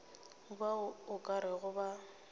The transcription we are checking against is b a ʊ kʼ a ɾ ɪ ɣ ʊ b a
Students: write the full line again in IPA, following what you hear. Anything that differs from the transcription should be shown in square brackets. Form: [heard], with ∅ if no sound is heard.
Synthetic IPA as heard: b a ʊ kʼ a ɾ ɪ ɣ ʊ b a